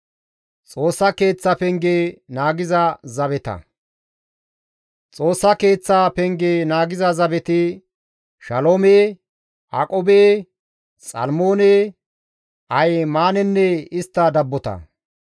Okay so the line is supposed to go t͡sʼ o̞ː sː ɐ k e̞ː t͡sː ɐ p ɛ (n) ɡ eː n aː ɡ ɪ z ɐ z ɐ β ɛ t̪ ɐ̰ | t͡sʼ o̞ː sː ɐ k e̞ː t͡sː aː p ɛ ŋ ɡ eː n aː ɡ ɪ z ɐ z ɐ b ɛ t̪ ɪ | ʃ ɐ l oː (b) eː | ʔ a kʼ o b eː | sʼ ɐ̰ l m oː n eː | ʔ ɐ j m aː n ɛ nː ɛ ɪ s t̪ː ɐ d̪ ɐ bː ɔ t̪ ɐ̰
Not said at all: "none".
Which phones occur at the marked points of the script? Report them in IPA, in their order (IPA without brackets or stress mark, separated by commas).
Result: ŋ, m